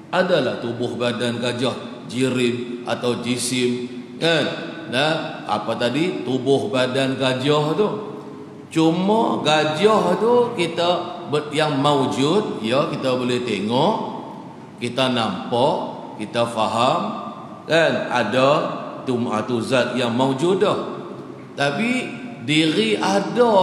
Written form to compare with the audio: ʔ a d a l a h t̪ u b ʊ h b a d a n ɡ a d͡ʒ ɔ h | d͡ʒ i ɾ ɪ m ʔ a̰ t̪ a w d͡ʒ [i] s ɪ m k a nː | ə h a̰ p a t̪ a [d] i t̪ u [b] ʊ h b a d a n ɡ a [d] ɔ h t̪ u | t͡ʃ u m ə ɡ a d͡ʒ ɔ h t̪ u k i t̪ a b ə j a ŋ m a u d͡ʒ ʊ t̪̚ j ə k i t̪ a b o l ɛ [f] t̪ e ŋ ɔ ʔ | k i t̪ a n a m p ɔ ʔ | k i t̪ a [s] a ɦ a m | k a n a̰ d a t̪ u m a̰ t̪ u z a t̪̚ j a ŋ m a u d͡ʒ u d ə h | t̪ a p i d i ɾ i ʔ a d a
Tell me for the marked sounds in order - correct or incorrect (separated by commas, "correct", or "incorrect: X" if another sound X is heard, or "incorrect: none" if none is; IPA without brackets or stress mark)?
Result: correct, correct, correct, incorrect: d͡ʒ, incorrect: h, incorrect: f